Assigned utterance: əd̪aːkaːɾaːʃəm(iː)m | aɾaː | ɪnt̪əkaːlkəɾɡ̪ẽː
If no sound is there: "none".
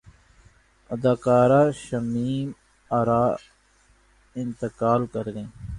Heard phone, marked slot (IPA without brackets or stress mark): iː